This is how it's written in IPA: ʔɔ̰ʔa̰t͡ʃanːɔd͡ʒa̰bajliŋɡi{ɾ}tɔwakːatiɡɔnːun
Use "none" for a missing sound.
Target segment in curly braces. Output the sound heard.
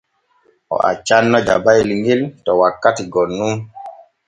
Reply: l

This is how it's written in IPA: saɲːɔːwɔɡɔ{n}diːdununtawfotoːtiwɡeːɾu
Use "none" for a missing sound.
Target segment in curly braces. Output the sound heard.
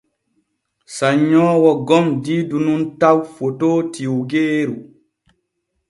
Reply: m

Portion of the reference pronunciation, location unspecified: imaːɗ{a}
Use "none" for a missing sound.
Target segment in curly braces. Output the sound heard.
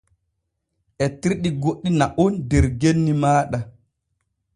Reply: a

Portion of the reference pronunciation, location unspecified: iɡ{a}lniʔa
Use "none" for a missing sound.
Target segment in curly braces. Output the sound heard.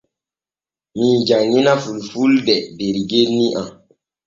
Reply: e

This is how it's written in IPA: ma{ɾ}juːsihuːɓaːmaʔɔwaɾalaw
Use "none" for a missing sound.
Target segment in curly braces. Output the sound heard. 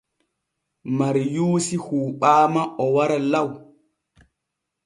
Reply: ɾ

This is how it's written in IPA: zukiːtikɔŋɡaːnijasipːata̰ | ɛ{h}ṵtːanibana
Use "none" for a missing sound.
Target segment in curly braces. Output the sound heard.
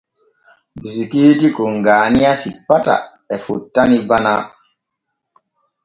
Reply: f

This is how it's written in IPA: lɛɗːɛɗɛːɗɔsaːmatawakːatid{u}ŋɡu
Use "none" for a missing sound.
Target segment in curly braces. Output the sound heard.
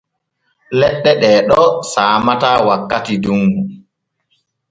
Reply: u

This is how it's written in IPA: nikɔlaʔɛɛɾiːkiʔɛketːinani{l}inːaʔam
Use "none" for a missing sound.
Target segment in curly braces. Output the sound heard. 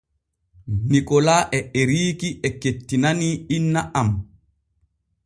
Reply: none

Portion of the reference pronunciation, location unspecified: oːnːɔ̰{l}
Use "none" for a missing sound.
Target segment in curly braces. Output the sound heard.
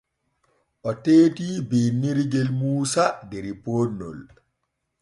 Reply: l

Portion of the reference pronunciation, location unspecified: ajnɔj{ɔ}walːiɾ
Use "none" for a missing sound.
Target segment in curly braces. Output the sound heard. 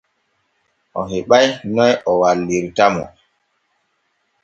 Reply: ɔ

